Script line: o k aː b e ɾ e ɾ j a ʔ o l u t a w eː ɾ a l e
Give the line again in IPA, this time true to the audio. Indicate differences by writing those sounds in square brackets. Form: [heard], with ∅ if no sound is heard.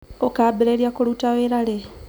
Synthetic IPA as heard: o k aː b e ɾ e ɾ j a [k] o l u t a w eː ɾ a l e